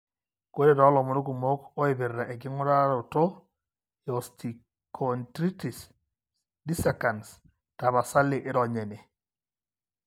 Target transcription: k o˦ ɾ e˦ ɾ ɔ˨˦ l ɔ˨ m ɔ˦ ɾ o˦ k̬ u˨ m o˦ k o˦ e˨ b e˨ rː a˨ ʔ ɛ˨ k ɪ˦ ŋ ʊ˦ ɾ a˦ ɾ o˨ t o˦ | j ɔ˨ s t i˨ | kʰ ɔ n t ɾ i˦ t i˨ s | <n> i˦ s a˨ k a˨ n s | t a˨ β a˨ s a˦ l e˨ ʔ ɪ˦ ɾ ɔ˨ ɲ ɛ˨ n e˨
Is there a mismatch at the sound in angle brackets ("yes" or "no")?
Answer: yes